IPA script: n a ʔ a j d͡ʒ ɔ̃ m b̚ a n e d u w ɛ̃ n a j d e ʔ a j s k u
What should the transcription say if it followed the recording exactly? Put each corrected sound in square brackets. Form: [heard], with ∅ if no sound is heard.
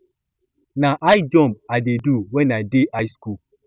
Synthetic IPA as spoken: n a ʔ a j d͡ʒ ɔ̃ m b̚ a [d] e d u w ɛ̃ n a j d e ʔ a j s k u